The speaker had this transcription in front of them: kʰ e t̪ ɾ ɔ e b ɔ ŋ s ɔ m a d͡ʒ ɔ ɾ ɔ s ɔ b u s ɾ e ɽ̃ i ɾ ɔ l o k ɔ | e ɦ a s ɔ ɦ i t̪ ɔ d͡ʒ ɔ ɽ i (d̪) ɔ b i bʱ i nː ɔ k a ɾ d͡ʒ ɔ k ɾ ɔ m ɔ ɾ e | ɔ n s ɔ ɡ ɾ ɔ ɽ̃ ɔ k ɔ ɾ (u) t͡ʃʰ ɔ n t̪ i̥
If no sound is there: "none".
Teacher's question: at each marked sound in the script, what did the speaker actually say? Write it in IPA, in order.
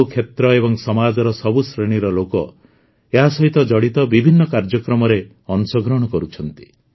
t̪, u

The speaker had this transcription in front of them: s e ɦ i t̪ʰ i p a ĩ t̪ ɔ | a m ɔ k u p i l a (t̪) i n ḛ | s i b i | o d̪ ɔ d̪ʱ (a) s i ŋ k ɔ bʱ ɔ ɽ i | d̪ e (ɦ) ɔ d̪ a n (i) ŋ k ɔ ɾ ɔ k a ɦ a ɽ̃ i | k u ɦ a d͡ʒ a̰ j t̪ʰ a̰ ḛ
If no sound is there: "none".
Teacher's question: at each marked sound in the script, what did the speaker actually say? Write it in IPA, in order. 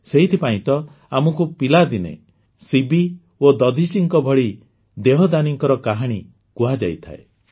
d̪, i, ɦ, i

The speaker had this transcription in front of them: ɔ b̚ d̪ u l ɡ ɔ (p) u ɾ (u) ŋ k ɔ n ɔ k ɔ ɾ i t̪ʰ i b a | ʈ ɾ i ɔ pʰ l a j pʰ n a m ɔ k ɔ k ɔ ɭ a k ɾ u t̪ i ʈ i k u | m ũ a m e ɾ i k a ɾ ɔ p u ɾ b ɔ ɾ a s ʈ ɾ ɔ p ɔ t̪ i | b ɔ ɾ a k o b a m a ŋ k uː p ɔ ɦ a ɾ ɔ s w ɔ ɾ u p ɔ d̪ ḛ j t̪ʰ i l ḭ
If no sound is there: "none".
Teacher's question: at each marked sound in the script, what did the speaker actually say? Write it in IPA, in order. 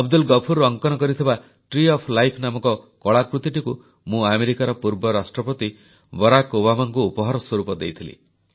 pʰ, ɔ

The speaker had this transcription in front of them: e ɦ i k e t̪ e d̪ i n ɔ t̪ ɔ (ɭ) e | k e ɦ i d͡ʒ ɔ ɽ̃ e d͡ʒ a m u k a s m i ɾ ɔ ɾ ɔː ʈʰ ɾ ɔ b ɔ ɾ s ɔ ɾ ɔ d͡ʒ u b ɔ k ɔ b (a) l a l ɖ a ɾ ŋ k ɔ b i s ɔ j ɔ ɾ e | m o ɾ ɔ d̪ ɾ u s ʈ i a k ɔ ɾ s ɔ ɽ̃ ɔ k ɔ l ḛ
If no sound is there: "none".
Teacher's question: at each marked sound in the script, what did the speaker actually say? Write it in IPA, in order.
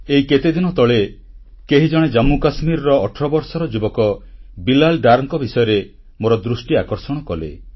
ɭ, i

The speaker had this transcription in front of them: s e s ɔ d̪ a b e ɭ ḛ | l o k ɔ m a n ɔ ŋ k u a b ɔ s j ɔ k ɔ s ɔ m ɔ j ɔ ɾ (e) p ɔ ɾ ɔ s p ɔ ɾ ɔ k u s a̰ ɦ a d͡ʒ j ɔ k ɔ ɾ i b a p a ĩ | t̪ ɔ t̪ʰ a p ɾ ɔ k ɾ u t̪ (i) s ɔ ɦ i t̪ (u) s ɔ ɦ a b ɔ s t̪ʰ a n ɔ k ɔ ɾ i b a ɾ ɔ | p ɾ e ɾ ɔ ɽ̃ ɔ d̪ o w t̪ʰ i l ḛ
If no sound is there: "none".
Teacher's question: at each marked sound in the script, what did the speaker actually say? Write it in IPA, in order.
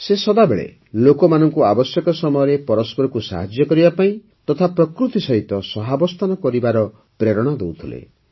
e, i, ɔ

